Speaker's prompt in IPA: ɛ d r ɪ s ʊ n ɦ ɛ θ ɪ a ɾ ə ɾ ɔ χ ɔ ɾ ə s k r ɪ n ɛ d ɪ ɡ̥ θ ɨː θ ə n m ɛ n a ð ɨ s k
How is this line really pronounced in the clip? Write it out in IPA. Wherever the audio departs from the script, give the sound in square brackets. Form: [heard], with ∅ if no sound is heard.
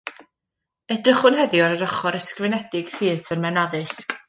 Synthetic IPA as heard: ɛ d r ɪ [χ] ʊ n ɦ ɛ [ð] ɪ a ɾ ə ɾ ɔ χ ɔ ɾ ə s k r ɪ n ɛ d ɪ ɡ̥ θ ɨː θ ə n m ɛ n a ð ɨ s k